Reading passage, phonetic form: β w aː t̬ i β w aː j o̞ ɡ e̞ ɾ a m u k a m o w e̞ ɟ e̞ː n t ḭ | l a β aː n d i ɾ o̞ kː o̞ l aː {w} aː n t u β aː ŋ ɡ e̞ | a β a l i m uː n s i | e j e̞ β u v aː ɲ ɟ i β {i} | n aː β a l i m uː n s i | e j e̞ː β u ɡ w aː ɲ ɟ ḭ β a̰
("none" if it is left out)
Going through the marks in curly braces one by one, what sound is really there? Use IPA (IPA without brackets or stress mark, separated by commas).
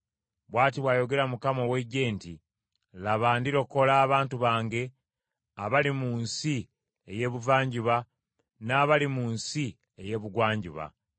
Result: β, a